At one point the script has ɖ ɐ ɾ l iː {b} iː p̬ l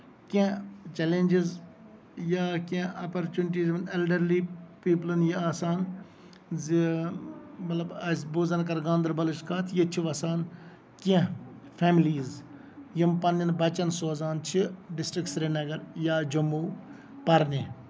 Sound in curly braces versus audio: incorrect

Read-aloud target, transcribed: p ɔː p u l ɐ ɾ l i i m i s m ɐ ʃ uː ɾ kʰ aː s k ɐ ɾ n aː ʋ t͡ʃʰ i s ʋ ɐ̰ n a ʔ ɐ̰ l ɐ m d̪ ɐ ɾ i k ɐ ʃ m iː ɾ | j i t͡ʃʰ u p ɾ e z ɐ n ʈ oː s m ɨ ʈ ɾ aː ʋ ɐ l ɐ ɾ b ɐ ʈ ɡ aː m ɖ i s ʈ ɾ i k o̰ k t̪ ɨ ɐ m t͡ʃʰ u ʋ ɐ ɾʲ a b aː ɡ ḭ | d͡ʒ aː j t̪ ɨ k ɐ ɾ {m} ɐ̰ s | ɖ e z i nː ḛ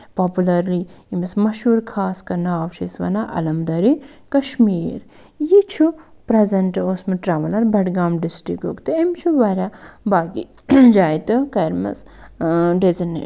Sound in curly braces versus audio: correct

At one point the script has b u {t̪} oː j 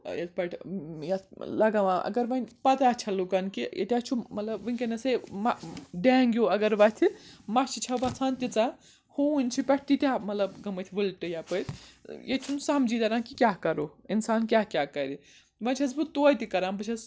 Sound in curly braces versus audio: correct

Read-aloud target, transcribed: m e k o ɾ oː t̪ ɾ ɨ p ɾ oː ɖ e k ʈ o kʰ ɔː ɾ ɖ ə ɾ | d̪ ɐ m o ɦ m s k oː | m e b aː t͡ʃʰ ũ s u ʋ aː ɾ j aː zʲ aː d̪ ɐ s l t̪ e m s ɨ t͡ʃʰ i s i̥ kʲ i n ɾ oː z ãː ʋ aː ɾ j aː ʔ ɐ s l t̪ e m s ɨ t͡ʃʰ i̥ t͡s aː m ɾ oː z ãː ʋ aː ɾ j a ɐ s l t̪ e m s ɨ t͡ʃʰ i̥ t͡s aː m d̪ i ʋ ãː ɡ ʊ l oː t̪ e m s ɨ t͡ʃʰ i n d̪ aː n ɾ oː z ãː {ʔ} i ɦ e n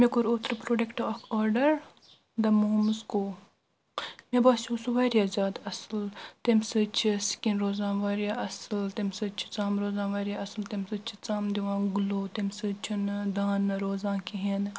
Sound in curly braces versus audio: incorrect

